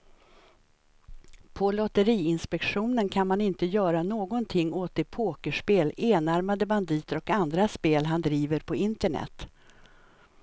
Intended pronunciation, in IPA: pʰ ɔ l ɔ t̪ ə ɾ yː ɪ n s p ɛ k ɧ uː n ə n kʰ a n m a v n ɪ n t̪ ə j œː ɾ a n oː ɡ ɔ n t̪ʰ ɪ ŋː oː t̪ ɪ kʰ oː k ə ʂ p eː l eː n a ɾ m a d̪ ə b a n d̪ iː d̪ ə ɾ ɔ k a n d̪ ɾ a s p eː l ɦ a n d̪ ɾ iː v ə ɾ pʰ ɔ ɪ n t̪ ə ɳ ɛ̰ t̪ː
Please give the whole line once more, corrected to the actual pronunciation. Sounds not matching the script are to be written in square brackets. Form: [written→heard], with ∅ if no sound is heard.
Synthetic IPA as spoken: pʰ ɔ l ɔ t̪ ə ɾ [yː→iː] ɪ n s p ɛ k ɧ uː n ə n kʰ a n m a [v→∅] n ɪ n t̪ ə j œː ɾ a n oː ɡ ɔ n t̪ʰ ɪ ŋː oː t̪ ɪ [kʰ→pʰ] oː k ə ʂ p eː l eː n a ɾ m a d̪ ə b a n d̪ iː [d̪→t̪] ə ɾ ɔ k a n d̪ ɾ a s p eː l ɦ a n d̪ ɾ iː v ə ɾ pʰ ɔ ɪ n t̪ ə ɳ ɛ̰ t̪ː